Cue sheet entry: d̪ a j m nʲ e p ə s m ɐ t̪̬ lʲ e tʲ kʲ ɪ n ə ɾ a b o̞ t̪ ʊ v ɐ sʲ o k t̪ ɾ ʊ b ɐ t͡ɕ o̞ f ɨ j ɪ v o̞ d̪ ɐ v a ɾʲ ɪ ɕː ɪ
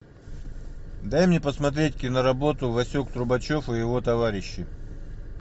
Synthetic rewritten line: d̪ a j m nʲ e p ə s m ɐ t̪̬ ɾʲ e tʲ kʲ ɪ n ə ɾ ɐ b o̞ t̪ ʊ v ɐ sʲ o k t̪ ɾ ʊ b ɐ t͡ɕ o̞ f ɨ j ɪ v o̞ t̪ ɐ v a ɾʲ ɪ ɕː ɪ